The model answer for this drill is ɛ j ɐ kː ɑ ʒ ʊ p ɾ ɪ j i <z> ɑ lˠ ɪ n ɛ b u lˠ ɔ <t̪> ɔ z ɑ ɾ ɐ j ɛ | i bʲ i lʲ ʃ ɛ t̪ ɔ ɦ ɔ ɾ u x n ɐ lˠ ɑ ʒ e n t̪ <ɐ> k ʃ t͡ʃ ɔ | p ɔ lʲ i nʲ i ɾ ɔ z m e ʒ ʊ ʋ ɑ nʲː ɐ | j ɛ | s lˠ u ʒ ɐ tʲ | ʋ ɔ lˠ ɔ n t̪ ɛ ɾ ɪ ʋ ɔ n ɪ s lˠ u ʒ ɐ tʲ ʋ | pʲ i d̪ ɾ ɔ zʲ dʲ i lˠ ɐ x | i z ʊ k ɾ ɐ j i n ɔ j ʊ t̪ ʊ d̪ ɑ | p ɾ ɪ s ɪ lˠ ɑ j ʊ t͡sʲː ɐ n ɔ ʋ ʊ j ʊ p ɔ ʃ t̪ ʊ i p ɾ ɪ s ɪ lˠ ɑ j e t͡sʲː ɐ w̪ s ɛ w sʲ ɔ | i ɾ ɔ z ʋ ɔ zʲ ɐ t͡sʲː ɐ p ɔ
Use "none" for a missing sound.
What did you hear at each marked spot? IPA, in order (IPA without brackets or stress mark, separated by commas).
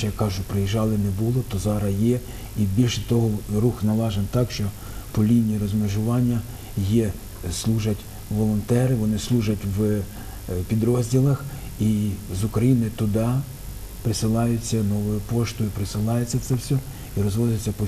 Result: ʒ, t̪, ɑ